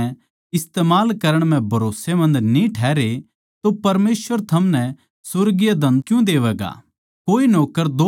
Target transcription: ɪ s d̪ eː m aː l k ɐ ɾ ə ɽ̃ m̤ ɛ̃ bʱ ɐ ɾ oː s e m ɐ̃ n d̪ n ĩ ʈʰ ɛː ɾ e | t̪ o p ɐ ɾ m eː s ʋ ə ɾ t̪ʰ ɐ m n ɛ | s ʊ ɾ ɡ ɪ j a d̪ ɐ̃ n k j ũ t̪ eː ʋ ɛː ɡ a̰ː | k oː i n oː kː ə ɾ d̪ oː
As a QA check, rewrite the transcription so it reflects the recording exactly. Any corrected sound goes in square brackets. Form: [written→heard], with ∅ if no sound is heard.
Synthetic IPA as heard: ɪ s [d̪→t̪] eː m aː l k ɐ ɾ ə ɽ̃ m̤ ɛ̃ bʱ ɐ ɾ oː s e m ɐ̃ n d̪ n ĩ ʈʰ ɛː ɾ e | t̪ o p ɐ ɾ m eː s ʋ ə ɾ t̪ʰ ɐ m n ɛ | s ʊ ɾ ɡ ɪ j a d̪ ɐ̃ n k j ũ [t̪→d̪] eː ʋ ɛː ɡ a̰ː | k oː i n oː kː ə ɾ d̪ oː